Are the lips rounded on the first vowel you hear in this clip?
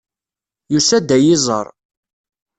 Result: yes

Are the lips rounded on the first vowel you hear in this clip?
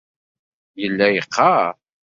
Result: no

